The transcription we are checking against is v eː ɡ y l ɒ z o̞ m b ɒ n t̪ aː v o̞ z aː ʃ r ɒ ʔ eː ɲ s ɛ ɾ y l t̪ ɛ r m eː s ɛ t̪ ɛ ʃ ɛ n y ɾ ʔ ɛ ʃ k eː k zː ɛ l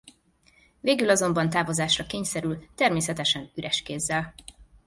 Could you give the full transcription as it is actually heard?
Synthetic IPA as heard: v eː ɡ y l ɒ z o̞ m b ɒ n t̪ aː v o̞ z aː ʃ r ɒ k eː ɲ s ɛ ɾ y l t̪ ɛ r m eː s ɛ t̪ ɛ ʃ ɛ n y ɾ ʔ ɛ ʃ k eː zː ɛ l

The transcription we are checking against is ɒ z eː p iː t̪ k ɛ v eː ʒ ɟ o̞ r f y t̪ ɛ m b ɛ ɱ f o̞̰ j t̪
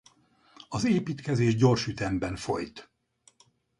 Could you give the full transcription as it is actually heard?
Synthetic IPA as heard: ɒ z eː p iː t̪ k ɛ z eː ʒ ɟ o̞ r ʃ y t̪ ɛ m b ɛ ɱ f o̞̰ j t̪

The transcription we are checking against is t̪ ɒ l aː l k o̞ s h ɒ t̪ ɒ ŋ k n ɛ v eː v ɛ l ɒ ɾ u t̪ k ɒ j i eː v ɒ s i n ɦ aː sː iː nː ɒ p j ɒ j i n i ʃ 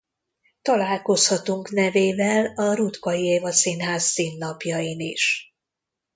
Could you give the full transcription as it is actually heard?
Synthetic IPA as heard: t̪ ɒ l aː l k o̞ s h ɒ t̪ u ŋ k n ɛ v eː v ɛ l ɒ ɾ u t̪ k ɒ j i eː v ɒ s i n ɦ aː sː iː nː ɒ p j ɒ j i n i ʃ

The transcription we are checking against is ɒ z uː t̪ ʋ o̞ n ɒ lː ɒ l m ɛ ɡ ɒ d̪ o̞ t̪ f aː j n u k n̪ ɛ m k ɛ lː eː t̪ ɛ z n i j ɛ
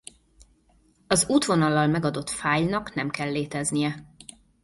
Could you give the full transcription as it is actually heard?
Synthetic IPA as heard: ɒ z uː t̪ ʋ o̞ n ɒ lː ɒ l m ɛ ɡ ɒ d̪ o̞ t̪ f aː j n ɒ k n̪ ɛ m k ɛ lː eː t̪ ɛ z n i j ɛ

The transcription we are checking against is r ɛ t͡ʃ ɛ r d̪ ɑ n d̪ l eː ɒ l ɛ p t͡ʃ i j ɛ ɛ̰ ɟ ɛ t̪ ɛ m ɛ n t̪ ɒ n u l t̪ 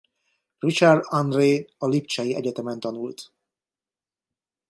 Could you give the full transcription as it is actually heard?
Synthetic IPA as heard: r i t͡ʃ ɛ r d̪ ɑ n d̪ r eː ɒ l i p t͡ʃ ɛ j i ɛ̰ ɟ ɛ t̪ ɛ m ɛ n t̪ ɒ n u l t̪

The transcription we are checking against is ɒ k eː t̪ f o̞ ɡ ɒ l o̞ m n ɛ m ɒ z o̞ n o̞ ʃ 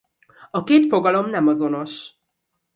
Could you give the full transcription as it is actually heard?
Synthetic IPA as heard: ɒ k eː t̪ f o̞ ɡ ɒ l o̞ m n ɛ m ɒ z o̞ n o̞ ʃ

